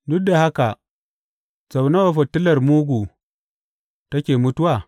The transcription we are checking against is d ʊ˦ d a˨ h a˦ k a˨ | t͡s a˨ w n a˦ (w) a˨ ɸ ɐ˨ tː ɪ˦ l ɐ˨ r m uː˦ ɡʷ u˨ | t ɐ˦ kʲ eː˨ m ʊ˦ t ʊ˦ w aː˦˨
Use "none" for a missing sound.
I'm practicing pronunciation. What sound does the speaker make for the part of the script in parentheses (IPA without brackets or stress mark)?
w